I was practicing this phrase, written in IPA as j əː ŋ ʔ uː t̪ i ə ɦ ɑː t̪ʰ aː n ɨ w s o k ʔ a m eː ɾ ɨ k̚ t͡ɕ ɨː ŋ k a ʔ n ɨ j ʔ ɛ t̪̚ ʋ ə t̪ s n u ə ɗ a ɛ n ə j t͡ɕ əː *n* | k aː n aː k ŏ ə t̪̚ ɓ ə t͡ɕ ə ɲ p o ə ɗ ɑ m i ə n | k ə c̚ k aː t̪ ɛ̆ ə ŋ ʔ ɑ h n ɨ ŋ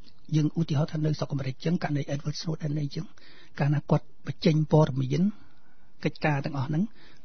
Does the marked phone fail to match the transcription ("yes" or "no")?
yes